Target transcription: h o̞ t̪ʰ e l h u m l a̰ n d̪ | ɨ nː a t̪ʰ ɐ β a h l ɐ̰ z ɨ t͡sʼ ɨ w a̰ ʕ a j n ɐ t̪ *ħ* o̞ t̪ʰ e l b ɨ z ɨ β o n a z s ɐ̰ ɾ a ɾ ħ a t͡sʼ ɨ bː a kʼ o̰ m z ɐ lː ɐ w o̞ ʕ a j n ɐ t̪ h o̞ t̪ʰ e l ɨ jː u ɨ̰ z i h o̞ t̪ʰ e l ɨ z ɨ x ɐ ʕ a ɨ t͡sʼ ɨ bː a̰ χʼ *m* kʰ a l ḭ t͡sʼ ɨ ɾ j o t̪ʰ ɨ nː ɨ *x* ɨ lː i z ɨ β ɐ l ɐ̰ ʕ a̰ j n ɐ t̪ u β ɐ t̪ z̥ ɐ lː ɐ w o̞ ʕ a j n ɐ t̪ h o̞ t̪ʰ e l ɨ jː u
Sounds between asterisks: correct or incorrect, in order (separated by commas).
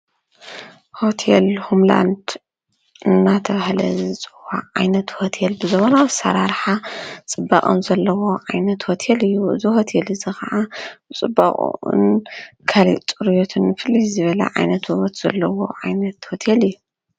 incorrect, incorrect, incorrect